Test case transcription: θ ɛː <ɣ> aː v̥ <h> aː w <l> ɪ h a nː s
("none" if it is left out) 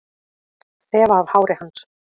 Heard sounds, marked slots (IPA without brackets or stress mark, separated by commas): v, h, ɾ